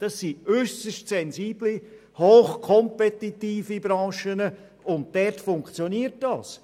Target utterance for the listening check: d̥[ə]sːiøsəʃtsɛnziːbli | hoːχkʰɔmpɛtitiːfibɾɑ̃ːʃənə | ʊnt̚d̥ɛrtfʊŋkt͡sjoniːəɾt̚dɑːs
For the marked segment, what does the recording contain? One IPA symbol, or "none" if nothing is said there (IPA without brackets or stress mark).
ɑ